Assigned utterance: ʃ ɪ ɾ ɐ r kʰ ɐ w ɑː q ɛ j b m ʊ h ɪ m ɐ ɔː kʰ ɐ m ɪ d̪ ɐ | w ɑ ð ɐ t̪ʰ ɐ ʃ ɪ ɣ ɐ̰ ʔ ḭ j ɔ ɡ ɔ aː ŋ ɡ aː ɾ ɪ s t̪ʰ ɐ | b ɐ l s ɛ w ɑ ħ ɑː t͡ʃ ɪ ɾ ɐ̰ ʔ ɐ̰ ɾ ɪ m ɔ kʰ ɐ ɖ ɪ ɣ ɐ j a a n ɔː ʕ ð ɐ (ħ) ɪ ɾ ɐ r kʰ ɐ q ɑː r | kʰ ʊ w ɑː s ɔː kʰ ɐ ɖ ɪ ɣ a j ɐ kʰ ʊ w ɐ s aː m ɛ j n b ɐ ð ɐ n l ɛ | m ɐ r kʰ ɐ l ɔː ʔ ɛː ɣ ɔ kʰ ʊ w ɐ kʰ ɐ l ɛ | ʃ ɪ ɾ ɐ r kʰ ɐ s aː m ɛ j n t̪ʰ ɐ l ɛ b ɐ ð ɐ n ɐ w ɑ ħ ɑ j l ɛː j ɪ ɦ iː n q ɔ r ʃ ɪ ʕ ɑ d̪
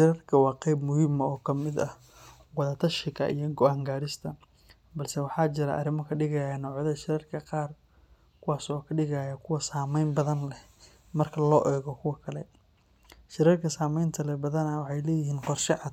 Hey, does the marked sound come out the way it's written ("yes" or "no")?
no